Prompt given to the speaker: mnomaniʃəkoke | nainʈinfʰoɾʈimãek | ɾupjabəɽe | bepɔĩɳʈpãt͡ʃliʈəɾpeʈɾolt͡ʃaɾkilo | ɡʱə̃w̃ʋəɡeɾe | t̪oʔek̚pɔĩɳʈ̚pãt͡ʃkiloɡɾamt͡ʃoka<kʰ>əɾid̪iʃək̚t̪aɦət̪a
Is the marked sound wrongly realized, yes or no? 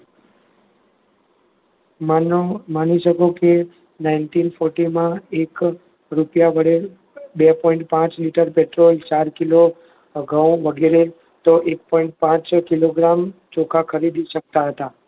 no